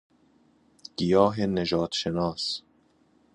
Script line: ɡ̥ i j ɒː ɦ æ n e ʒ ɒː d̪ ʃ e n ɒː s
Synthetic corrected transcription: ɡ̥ i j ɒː ɦ e n e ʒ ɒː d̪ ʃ e n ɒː s